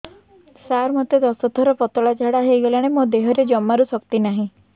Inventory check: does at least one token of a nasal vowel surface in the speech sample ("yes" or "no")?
yes